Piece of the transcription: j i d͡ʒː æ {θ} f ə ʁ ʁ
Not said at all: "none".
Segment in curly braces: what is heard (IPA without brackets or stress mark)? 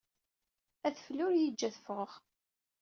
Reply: θ